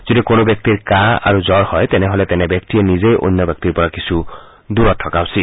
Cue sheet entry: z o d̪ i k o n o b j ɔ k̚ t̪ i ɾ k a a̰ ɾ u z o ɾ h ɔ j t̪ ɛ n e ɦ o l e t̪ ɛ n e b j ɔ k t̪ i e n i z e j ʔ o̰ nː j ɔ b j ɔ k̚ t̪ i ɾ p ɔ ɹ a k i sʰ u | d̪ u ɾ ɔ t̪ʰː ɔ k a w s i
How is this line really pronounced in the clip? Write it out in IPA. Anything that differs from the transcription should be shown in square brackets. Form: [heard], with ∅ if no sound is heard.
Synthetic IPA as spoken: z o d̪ i k o n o b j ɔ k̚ t̪ i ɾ k a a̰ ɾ u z [ɔ] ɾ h ɔ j t̪ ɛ n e ɦ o l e t̪ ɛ n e b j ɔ k t̪ i e n i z e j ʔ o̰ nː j ɔ b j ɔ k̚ t̪ i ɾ p ɔ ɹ a k i sʰ u | d̪ u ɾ ɔ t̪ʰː ɔ k a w s i